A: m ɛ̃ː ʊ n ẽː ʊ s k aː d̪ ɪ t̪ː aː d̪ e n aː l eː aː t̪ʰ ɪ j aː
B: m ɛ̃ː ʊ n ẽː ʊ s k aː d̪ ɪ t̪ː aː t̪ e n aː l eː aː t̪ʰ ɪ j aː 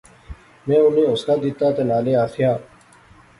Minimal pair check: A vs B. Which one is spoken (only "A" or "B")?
B